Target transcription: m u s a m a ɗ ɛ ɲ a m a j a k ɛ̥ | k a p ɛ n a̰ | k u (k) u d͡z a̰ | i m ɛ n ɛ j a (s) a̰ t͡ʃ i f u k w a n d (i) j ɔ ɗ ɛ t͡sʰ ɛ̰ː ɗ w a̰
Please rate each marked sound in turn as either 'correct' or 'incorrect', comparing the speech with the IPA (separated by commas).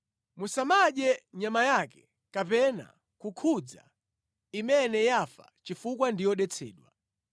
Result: incorrect, incorrect, correct